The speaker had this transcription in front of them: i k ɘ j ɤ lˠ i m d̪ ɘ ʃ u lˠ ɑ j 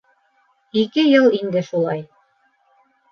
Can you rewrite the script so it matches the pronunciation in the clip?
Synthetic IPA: i k ɘ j ɤ lˠ i n d̪ ɘ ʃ u lˠ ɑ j